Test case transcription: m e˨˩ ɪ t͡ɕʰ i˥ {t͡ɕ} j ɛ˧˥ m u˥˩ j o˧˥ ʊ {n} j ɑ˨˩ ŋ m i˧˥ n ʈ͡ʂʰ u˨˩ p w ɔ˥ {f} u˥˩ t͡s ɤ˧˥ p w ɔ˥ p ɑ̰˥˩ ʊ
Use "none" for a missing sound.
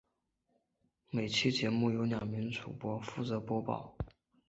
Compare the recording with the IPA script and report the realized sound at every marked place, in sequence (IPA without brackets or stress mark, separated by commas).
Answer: t͡ɕ, n, f